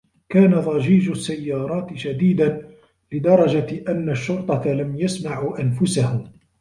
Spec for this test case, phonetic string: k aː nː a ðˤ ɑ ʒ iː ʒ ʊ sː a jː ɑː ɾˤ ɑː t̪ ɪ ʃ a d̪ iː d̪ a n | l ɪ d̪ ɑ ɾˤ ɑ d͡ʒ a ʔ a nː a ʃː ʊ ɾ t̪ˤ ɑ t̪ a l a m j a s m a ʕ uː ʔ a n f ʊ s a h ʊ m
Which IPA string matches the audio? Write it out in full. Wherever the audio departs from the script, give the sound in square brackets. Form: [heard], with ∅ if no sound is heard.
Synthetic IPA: k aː [n] a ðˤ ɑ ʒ iː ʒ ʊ sː a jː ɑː ɾˤ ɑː t̪ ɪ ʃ a d̪ iː d̪ a n | l ɪ d̪ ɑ ɾˤ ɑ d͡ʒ a ʔ a nː a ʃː ʊ ɾ t̪ˤ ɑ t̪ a l a m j a s m a ʕ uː ʔ a n f ʊ s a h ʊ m